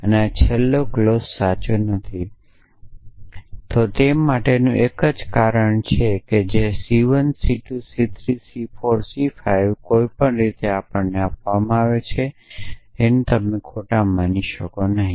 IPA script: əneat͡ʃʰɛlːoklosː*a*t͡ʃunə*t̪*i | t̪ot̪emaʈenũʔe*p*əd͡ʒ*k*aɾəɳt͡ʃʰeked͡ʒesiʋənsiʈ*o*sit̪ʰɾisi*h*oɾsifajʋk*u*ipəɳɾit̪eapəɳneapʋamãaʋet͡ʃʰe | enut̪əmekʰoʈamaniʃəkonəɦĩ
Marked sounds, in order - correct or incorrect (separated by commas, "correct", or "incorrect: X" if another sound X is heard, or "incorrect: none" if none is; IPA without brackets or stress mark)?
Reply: correct, incorrect: t̪ʰ, incorrect: k, correct, incorrect: u, incorrect: f, incorrect: o